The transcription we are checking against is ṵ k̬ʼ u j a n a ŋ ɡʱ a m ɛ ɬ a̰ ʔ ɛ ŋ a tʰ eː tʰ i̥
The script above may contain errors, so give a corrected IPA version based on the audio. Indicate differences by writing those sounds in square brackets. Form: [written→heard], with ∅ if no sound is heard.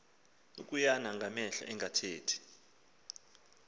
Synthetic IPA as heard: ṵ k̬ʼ u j a n a ŋ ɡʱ a m ɛ ɬ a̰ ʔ ɛ ŋ a tʰ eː tʰ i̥